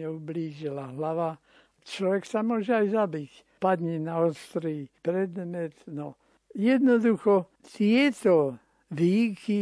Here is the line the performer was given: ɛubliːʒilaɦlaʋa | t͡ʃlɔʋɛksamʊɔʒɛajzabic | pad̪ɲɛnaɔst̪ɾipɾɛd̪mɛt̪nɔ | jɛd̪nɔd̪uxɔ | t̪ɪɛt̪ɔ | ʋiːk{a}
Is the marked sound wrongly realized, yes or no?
yes